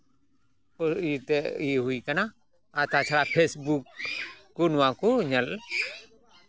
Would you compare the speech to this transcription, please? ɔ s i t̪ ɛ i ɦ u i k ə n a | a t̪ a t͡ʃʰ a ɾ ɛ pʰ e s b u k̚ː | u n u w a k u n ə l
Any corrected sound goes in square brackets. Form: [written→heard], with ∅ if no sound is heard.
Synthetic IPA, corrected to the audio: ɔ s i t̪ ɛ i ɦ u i k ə n a | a t̪ a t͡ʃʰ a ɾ [ɛ→a] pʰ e s b u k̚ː | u n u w a k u [n→ɲ] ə l